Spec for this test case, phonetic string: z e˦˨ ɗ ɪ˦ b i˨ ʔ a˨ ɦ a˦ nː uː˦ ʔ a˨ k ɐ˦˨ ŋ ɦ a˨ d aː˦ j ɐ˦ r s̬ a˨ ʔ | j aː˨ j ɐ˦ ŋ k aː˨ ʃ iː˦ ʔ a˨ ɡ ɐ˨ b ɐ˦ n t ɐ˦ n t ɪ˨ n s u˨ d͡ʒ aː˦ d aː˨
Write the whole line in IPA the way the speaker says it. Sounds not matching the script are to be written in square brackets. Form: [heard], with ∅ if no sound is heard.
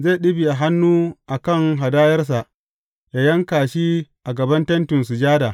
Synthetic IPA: z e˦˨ ɗ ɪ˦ b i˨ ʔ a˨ ɦ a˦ nː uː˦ ʔ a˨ k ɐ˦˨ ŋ ɦ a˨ d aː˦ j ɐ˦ r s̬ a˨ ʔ | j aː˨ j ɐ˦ ŋ k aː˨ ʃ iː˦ ʔ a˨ ɡ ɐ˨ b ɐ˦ n t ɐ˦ n t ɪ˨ n s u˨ d͡ʒ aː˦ d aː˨